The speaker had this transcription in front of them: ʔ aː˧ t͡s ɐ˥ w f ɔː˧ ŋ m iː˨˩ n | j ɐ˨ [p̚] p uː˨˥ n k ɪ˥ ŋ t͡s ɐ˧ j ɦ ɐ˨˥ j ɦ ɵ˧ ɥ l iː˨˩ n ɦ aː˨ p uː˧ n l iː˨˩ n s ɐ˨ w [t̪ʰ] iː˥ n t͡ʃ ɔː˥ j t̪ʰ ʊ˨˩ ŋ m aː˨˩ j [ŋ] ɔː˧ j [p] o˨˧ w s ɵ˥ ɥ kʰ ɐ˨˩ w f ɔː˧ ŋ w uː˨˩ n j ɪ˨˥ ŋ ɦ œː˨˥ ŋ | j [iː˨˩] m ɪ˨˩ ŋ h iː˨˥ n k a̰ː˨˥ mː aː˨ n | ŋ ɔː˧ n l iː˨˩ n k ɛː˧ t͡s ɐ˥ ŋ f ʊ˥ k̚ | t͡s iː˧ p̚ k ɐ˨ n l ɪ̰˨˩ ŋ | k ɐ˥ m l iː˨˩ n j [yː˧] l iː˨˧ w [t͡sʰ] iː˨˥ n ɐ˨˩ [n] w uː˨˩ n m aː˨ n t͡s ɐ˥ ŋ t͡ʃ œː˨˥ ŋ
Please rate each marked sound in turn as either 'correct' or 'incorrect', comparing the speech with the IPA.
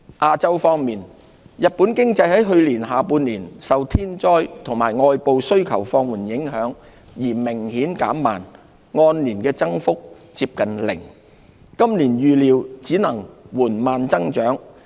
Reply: incorrect, correct, correct, correct, correct, correct, incorrect, incorrect

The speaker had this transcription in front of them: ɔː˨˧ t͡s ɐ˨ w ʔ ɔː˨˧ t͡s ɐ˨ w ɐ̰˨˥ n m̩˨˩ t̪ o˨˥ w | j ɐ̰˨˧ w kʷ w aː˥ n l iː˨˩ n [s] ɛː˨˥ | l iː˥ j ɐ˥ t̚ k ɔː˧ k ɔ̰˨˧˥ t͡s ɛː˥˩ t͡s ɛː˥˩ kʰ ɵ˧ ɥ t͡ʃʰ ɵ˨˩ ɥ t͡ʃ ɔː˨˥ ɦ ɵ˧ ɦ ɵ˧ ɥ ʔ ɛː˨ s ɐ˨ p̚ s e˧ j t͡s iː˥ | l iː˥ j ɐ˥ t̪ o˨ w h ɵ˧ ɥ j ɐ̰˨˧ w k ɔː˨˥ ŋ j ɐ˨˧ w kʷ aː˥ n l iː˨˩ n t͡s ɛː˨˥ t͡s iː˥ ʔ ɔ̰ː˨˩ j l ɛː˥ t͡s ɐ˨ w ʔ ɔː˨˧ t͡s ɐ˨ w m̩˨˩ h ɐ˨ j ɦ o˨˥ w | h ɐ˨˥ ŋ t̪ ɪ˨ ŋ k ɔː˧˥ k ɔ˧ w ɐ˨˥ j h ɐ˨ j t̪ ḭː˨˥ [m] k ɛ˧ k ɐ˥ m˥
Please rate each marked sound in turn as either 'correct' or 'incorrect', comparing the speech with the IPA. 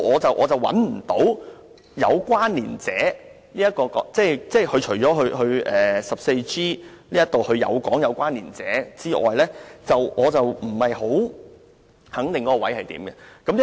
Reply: incorrect, correct

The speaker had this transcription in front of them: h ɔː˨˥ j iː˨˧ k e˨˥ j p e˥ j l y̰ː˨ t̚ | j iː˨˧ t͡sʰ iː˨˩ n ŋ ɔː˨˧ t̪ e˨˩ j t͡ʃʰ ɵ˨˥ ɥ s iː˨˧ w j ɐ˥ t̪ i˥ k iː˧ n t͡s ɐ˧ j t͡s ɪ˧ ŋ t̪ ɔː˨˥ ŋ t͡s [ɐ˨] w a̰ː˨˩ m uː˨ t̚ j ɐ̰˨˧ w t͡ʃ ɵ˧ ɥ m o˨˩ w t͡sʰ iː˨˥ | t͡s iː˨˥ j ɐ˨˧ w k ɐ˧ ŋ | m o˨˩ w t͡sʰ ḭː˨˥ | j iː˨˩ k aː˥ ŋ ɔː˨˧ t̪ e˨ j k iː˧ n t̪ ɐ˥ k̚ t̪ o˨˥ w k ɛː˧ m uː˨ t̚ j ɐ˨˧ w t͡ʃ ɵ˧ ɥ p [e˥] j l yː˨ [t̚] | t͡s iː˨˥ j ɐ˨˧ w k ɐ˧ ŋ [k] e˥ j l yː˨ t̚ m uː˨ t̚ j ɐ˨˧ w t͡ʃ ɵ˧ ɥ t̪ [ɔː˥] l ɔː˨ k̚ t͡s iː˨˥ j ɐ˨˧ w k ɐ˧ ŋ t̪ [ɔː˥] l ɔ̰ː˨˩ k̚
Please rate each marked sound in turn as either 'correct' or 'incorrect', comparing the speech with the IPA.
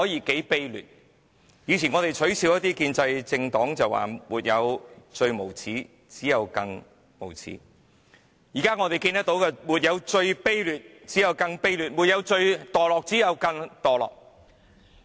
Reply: correct, correct, correct, incorrect, incorrect, incorrect

